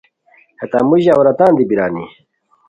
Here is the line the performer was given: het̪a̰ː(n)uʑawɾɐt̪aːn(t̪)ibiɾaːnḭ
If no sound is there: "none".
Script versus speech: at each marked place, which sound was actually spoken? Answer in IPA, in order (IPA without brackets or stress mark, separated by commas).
m, d̪